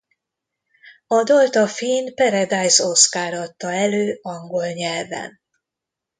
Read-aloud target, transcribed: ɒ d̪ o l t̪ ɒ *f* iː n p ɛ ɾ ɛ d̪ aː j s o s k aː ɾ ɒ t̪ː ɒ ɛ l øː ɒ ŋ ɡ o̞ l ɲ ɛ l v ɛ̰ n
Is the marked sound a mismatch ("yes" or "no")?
no